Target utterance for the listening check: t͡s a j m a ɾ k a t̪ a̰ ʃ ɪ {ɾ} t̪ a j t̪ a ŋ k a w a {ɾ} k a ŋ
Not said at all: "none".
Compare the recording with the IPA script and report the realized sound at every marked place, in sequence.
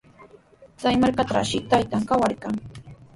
none, ɾ

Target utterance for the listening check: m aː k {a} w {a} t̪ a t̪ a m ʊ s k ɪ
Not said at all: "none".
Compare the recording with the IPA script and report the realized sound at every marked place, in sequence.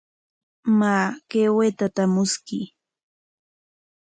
e, e

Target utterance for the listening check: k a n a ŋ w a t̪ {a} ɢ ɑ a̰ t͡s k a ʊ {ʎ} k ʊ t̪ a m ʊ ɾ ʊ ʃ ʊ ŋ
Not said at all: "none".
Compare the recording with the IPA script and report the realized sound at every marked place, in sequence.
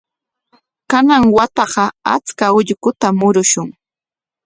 ɑ, ʎ

